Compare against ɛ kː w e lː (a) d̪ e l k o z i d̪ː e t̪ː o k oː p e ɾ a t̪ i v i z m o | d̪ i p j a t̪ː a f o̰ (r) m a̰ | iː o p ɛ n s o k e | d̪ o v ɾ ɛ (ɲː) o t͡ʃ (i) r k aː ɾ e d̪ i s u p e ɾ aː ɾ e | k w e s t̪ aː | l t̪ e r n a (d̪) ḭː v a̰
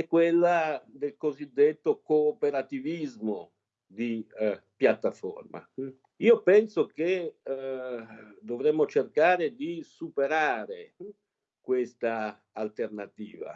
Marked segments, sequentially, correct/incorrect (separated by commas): correct, correct, incorrect, incorrect, incorrect